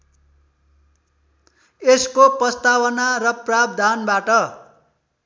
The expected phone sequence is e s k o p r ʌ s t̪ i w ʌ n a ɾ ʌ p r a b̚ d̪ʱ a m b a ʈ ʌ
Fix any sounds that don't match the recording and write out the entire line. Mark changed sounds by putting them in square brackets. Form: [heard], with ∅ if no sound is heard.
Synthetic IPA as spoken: e s k o p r ʌ s t̪ [a] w ʌ n a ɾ ʌ p r a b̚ d̪ʱ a [n] b a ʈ ʌ